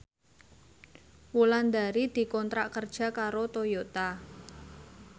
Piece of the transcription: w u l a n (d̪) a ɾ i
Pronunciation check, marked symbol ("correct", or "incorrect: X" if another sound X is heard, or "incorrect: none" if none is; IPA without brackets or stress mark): correct